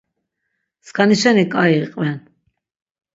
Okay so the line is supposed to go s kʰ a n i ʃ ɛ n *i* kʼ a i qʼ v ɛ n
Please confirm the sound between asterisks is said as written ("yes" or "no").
yes